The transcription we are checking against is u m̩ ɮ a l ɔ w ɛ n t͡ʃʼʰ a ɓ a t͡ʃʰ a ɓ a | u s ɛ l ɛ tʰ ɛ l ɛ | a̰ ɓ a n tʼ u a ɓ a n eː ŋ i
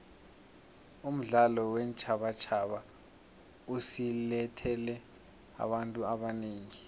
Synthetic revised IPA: u m̩ ɮ a l ɔ w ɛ n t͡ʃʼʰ a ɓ a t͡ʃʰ a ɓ a | u s i l ɛ tʰ ɛ l ɛ | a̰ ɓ a n tʼ u a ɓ a n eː ŋ i